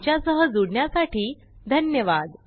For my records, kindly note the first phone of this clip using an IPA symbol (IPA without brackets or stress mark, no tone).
t͡ɕ